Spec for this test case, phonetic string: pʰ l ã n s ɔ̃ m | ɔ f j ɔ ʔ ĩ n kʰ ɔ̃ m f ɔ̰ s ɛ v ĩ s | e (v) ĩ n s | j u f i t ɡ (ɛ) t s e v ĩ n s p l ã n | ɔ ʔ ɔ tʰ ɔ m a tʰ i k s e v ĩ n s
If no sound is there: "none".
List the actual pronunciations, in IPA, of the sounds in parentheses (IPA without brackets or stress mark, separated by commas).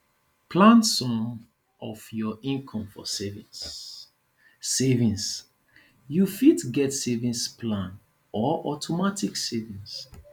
v, ɛ